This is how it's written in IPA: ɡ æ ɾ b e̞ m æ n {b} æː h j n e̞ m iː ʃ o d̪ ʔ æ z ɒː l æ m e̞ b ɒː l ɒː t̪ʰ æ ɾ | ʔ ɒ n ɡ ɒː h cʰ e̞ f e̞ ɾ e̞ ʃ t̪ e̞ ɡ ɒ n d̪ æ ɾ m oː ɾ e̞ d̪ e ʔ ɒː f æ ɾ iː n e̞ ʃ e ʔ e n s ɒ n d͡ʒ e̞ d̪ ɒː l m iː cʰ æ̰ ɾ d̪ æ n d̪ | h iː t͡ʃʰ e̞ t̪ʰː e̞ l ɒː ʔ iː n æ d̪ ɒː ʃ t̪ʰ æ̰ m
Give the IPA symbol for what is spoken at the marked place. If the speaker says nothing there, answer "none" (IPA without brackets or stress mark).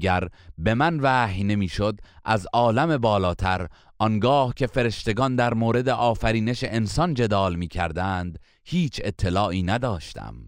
v